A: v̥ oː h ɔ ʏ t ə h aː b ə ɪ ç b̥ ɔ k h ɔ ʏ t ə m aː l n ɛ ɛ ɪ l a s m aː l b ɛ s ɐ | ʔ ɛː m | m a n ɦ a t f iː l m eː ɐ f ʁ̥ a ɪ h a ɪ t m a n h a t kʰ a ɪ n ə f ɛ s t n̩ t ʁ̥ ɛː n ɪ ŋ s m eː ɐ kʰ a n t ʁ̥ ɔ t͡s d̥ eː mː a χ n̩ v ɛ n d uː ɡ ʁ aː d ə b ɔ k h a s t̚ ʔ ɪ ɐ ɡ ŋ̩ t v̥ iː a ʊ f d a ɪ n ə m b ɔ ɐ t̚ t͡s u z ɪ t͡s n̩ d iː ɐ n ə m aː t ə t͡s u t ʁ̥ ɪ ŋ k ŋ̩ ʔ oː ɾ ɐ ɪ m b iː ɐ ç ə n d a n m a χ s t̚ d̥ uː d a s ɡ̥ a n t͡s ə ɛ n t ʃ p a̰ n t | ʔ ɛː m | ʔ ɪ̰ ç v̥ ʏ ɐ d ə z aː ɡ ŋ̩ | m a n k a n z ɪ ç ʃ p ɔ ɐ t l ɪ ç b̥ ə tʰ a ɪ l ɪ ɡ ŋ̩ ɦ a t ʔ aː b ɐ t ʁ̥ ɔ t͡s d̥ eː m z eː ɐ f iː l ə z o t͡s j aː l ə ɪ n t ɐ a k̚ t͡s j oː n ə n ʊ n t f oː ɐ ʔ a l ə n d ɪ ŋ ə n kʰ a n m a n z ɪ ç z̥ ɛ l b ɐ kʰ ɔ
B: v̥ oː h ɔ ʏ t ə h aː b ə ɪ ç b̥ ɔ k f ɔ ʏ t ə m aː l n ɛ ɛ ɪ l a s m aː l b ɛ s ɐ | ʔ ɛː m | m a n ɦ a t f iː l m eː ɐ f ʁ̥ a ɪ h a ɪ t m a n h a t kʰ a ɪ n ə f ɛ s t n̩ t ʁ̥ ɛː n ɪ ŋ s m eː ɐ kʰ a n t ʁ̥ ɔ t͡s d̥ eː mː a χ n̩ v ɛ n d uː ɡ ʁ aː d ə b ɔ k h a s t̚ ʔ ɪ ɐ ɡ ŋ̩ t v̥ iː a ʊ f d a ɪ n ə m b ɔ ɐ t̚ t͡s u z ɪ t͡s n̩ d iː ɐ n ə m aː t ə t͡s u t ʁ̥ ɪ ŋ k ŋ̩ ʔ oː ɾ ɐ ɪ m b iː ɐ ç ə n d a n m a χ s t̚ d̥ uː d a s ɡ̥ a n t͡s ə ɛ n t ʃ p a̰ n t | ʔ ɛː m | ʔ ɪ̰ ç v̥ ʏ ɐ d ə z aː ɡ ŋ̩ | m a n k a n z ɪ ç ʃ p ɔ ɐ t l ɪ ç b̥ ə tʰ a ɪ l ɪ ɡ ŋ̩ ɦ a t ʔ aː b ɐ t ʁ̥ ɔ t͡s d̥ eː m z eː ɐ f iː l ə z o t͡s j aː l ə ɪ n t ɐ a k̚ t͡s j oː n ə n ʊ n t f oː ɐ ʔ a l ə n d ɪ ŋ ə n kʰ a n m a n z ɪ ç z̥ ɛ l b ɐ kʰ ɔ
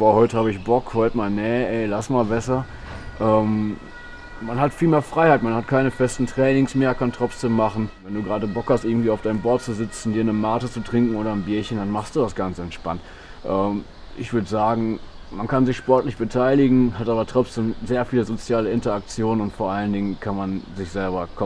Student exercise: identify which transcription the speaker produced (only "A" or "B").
A